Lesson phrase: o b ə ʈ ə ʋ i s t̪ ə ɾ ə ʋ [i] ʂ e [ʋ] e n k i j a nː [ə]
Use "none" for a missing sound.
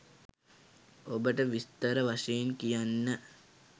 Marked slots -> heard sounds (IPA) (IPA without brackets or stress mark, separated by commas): a, none, ə